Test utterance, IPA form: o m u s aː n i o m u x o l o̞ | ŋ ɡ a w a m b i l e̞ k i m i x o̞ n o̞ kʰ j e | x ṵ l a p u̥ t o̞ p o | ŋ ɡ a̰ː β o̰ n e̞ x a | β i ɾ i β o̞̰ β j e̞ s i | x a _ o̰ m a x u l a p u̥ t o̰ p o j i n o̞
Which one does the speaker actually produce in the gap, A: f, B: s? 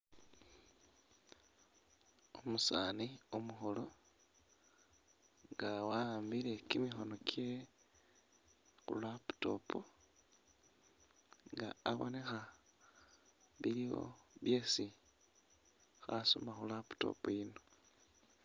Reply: B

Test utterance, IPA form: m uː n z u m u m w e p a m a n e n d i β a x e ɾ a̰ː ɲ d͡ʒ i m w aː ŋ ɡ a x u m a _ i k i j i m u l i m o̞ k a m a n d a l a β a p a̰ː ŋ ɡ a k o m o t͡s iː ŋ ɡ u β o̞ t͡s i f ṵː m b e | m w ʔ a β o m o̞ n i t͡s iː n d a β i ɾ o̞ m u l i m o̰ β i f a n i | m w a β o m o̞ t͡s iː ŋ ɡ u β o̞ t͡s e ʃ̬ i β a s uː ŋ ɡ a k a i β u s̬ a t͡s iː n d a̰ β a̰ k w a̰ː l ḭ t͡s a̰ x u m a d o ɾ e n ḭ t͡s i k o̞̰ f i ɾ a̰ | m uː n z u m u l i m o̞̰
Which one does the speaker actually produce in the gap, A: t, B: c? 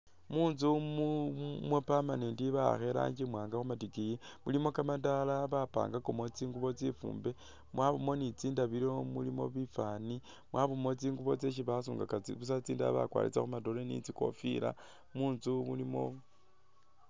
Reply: A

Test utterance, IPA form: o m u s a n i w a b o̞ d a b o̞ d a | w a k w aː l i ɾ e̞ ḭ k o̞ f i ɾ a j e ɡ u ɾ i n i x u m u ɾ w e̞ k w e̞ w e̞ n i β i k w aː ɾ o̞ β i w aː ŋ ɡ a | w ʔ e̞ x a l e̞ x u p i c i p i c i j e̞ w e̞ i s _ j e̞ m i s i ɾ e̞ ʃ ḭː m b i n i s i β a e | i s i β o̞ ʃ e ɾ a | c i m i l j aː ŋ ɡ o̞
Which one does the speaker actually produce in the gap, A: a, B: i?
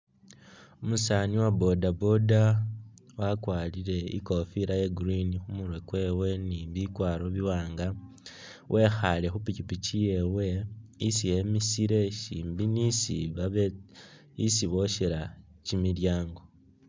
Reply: B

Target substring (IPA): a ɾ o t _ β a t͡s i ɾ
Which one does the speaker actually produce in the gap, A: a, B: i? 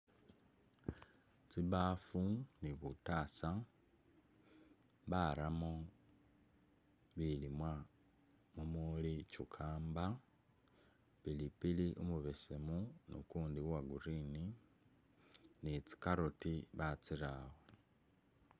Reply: B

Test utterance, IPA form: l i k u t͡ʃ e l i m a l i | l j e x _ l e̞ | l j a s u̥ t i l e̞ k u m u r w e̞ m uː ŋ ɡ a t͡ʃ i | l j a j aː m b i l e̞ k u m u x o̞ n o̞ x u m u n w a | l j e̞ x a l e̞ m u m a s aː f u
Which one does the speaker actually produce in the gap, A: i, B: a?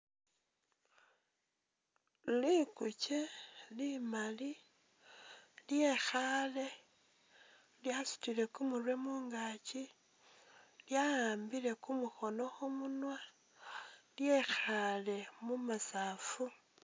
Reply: B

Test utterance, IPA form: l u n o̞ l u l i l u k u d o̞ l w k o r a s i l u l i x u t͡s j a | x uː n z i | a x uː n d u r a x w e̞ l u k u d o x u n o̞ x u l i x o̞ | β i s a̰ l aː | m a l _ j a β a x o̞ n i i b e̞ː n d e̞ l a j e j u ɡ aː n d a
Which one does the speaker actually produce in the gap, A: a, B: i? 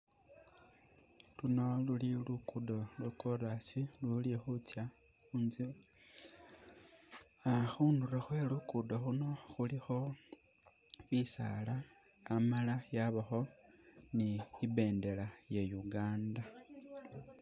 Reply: A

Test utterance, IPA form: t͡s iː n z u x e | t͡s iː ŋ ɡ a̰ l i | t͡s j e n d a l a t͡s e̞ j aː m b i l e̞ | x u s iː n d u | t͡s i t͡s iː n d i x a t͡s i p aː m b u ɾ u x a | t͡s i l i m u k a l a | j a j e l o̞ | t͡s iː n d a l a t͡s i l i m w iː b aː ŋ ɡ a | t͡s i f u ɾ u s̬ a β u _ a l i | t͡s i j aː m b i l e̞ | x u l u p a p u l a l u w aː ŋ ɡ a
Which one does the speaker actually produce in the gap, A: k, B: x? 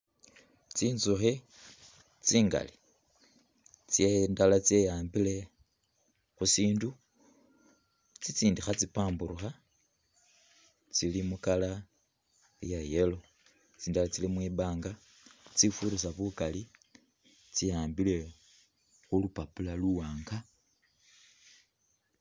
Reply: A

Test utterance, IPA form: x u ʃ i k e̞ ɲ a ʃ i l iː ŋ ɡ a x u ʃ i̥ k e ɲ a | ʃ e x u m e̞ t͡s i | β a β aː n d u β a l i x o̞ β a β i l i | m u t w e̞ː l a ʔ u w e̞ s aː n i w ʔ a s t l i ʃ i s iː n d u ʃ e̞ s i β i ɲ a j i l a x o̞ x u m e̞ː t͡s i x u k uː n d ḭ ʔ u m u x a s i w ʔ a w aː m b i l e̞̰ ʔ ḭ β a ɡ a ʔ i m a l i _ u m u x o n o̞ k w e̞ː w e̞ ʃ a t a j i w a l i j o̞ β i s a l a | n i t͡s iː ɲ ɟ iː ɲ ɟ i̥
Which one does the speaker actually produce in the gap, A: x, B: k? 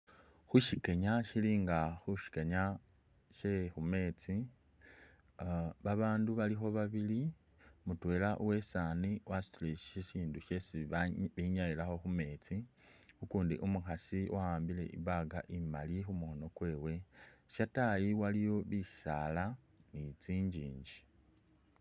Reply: A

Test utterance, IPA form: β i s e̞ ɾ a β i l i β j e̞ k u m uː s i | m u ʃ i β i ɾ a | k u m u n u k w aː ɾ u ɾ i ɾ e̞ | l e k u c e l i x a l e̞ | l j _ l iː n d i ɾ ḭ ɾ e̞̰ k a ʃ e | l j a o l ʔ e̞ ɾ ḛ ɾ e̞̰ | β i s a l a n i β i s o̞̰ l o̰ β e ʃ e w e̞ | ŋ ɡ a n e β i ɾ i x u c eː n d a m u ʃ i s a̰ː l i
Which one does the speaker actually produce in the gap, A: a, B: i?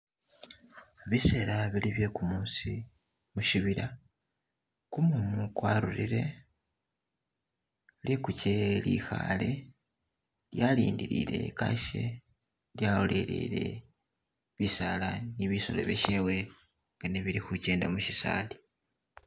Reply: A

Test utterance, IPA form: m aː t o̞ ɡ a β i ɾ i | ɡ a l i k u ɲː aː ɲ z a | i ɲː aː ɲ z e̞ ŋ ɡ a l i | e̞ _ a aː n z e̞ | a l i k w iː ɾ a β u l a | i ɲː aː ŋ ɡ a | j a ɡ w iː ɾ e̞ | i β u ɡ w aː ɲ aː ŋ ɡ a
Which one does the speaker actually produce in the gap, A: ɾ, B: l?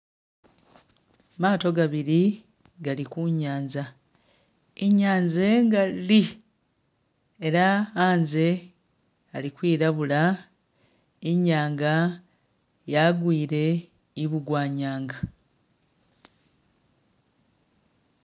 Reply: A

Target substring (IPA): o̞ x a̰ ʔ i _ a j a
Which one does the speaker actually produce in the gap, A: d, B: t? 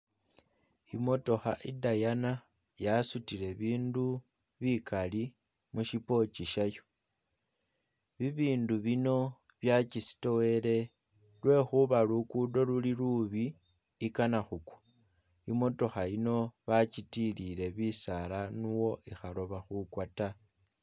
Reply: A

